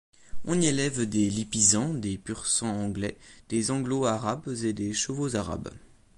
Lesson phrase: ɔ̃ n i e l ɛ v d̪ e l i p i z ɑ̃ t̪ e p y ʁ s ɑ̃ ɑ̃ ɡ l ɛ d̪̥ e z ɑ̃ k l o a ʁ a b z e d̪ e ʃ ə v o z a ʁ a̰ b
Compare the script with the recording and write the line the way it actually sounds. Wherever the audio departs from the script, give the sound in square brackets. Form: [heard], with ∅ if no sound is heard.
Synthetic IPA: ɔ̃ n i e l ɛ v d̪ e l i p i z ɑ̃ [d̪] e p y ʁ s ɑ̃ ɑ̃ ɡ l ɛ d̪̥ e z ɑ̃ [ɡ] l o a ʁ a b z e d̪ e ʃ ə v o z a ʁ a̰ b